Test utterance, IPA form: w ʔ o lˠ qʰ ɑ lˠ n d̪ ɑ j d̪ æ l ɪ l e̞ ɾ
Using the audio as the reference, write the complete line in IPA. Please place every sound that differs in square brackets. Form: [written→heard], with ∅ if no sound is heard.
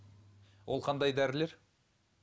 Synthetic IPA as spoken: w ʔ o lˠ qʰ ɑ [lˠ→∅] n d̪ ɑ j d̪ æ [l→ɾ] ɪ l e̞ ɾ

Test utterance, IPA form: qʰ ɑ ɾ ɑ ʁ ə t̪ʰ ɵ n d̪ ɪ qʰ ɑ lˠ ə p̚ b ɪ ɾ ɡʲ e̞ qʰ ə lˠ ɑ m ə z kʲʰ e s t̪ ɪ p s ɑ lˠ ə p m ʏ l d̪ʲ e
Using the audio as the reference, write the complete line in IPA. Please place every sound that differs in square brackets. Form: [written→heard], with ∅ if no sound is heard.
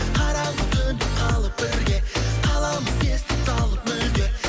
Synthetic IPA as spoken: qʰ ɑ ɾ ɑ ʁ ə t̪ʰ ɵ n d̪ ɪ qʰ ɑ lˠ ə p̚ b ɪ ɾ ɡʲ e̞ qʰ [ə→ɑ] lˠ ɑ m ə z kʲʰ e s t̪ ɪ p s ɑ lˠ ə p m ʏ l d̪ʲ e

